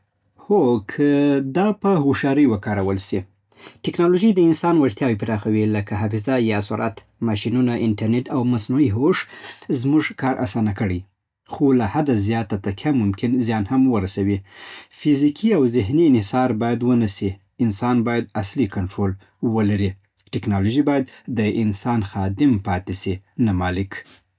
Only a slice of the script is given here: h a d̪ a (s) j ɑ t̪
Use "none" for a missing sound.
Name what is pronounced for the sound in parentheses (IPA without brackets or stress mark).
z